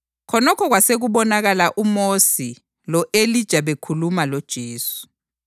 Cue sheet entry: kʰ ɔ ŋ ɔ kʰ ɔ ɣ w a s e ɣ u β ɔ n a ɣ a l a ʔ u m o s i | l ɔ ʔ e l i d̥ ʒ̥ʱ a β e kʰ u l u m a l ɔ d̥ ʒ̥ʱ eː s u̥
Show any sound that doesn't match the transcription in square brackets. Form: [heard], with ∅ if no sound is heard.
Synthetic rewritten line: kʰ ɔ [n] ɔ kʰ ɔ ɣ w a s e ɣ u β ɔ n a ɣ a l a ʔ u m o s i | l ɔ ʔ e l i d̥ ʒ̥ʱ a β e kʰ u l u m a l ɔ d̥ ʒ̥ʱ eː s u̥